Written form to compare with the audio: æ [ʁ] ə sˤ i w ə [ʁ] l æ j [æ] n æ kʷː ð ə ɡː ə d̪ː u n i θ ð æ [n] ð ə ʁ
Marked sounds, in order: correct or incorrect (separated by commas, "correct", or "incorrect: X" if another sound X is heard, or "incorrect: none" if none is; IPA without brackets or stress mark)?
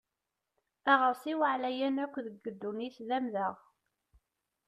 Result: correct, incorrect: ʕ, correct, incorrect: m